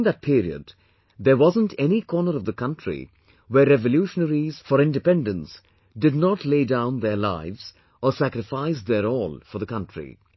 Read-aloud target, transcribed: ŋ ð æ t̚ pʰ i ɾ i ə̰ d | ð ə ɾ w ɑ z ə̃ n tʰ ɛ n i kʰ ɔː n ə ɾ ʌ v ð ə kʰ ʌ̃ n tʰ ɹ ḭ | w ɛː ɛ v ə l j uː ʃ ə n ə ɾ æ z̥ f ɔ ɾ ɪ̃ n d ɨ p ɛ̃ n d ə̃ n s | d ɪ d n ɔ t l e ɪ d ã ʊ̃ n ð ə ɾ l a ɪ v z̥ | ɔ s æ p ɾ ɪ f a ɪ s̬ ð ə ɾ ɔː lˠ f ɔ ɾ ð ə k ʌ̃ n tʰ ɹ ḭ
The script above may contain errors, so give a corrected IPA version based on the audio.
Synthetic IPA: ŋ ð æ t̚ pʰ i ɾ i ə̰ d | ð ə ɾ w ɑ z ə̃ n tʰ ɛ n i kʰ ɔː n ə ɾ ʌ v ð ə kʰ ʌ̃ n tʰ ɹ ḭ | w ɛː ɛ v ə l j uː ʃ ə n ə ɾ i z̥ f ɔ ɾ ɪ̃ n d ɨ p ɛ̃ n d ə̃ n s | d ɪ d n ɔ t l e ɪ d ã ʊ̃ n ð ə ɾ l a ɪ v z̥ | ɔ s æ k ɾ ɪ f a ɪ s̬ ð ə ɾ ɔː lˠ f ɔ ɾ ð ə k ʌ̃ n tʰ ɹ ḭ